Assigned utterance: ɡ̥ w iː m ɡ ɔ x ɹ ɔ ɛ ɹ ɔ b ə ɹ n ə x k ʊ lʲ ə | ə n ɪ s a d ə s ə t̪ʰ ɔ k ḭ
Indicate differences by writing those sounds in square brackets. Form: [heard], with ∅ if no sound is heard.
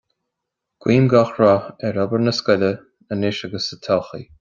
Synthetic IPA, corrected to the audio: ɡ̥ w iː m ɡ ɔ x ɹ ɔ ɛ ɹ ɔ b ə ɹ n ə [s] k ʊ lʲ ə | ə n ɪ [ʃ] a [ɡ] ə s ə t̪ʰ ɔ [x] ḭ